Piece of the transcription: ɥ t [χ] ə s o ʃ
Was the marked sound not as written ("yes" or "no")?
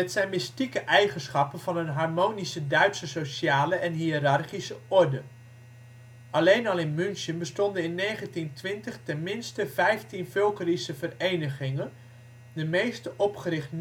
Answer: yes